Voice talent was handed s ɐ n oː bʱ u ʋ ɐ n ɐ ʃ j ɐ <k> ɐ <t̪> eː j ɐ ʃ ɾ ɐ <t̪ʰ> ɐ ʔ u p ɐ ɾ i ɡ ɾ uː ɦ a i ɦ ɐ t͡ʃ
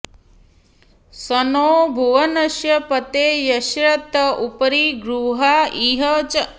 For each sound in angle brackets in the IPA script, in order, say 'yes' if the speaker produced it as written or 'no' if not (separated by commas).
no, yes, no